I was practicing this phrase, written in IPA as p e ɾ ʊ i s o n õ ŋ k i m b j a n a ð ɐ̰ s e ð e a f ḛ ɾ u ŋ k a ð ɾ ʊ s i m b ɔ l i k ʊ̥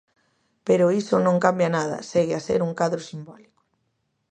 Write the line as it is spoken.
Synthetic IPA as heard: p e ɾ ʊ i s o n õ ŋ k a m b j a n a ð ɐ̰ s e ɣ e a s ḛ ɾ u ŋ k a ð ɾ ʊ s i m b ɔ l i k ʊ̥